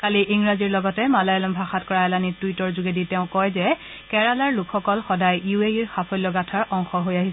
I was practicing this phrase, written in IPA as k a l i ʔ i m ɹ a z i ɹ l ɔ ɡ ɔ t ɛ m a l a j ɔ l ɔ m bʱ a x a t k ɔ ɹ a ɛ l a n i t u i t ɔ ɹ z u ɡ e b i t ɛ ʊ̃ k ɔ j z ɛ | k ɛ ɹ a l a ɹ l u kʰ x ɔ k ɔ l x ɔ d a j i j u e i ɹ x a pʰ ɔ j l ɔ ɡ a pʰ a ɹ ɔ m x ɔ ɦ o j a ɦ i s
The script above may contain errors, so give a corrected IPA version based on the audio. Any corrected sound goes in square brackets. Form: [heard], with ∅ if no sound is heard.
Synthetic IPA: k a l i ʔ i [ŋ] ɹ a z i ɹ l ɔ ɡ ɔ t ɛ m a l a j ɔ l ɔ m bʱ a x a t k ɔ ɹ a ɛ l a n i t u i t ɔ ɹ z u ɡ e [d] i t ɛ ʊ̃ k ɔ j z ɛ | k ɛ ɹ a l a ɹ l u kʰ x ɔ k ɔ l x ɔ d a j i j u e i ɹ x a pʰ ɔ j l ɔ ɡ a [tʰ] a ɹ ɔ [ŋ] x ɔ ɦ o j a ɦ i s